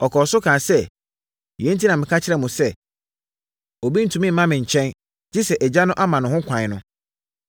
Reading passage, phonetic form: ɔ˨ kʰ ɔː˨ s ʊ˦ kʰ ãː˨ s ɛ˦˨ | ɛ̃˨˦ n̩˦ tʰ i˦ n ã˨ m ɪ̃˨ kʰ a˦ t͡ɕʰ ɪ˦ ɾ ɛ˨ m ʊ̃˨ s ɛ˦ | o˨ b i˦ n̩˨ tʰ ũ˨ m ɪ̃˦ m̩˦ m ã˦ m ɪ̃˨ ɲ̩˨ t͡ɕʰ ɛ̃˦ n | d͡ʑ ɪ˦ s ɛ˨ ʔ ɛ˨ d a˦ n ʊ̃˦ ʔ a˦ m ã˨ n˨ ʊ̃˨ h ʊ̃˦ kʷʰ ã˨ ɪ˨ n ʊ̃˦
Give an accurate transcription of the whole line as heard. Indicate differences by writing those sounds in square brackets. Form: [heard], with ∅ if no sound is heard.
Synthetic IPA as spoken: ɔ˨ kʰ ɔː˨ s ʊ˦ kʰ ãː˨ s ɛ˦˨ | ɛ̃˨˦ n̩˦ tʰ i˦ n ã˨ m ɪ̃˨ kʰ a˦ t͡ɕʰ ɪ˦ ɾ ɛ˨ m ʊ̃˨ s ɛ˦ | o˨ b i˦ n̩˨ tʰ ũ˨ m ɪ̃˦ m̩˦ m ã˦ m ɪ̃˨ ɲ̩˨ t͡ɕʰ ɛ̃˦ n | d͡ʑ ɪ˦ s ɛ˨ ʔ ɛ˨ [d͡ʑ] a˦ n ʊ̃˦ ʔ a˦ m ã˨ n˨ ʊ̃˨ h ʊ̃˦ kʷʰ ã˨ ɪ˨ n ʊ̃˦